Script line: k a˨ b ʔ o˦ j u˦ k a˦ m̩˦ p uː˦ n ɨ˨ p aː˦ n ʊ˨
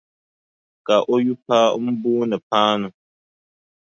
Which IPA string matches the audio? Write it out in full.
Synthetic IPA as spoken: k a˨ ʔ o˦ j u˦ p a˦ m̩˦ b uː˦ n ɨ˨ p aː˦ n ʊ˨